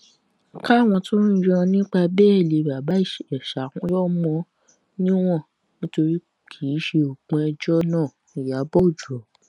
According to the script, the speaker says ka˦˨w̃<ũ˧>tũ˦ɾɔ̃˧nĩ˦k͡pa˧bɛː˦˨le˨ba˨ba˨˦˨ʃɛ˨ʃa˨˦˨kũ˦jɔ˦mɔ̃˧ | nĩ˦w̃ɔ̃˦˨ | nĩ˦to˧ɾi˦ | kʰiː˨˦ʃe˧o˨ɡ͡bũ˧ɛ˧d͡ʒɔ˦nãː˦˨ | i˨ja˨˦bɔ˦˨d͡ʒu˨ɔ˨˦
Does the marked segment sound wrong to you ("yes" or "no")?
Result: yes